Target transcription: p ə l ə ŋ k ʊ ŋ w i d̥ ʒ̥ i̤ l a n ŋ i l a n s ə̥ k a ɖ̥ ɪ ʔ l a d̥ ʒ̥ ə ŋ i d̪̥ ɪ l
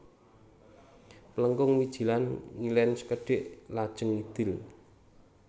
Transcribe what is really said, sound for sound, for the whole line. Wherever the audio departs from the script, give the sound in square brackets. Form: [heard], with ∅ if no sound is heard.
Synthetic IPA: p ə l ə ŋ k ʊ ŋ w i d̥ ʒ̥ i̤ l a n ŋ i l [ɛ] n s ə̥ k [ə] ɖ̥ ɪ ʔ l a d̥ ʒ̥ ə ŋ i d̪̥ ɪ l